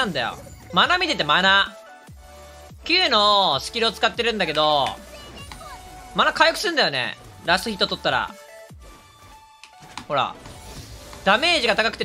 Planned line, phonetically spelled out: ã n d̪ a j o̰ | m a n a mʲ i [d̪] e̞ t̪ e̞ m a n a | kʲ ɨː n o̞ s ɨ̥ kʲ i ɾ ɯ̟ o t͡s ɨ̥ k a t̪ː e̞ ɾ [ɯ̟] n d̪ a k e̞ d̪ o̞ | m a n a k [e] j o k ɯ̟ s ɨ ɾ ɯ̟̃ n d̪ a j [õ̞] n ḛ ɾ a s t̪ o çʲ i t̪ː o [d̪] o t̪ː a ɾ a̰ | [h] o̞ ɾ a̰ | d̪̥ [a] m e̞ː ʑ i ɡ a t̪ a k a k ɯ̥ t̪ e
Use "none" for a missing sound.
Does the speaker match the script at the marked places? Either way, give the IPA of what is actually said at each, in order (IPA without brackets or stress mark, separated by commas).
t̪, ɯ̟̃, a, o̞, t̪, h, a